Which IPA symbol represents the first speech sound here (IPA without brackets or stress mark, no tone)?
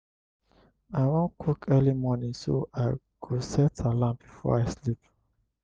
a